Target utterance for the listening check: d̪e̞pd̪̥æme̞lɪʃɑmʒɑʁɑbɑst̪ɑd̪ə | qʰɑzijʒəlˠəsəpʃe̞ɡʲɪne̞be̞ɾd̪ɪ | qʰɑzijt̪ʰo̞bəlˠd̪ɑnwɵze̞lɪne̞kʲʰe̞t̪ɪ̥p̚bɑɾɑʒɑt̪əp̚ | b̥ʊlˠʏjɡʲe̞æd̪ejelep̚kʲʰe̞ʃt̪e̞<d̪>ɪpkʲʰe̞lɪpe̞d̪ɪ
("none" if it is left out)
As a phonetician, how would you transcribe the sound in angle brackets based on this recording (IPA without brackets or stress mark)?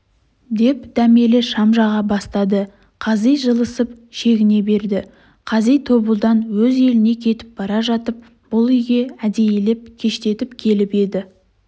t̪